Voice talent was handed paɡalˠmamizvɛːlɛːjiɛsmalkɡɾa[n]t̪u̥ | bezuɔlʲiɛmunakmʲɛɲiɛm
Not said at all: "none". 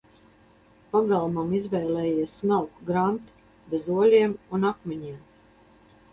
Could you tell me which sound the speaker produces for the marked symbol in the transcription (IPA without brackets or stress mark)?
n